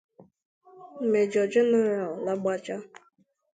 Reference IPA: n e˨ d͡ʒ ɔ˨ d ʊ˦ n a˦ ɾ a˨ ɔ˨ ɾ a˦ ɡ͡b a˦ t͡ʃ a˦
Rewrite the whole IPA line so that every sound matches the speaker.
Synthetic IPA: m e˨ d͡ʒ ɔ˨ d͡ʒ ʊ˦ n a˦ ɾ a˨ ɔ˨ l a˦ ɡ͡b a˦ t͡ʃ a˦